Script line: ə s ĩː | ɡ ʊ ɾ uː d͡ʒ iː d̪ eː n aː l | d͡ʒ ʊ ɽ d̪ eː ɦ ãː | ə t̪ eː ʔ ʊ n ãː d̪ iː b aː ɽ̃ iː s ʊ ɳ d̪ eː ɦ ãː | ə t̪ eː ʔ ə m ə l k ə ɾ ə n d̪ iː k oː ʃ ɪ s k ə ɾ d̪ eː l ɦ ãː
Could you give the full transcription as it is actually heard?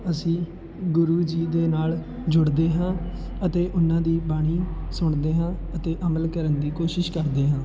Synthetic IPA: ə s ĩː | ɡ ʊ ɾ uː d͡ʒ iː d̪ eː n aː l | d͡ʒ ʊ ɽ d̪ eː ɦ ãː | ə t̪ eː ʔ ʊ n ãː d̪ iː b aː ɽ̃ iː s ʊ ɳ d̪ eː ɦ ãː | ə t̪ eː ʔ ə m ə l k ə ɾ ə n d̪ iː k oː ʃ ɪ ʃ k ə ɾ d̪ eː ɦ ãː